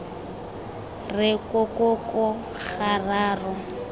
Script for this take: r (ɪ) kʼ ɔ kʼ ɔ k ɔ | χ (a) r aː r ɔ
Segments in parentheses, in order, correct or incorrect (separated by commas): correct, correct